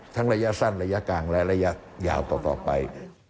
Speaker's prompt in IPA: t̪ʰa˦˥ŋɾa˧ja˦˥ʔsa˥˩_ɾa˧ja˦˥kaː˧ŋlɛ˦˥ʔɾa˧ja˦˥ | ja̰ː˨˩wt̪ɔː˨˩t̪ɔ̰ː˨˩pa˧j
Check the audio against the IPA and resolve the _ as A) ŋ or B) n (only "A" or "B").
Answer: B